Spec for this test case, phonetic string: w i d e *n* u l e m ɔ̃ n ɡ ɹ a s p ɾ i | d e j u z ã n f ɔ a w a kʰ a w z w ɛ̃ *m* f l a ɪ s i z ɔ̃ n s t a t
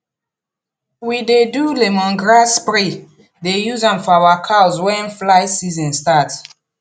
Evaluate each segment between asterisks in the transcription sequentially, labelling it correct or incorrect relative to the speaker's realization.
incorrect, incorrect

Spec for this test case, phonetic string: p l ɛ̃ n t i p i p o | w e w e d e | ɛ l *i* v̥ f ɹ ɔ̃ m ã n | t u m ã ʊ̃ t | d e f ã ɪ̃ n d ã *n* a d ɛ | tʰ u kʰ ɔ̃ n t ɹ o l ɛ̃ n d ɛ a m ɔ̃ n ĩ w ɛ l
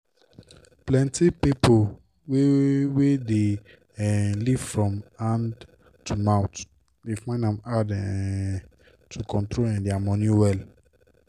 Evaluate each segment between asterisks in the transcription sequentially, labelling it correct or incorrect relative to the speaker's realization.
correct, incorrect

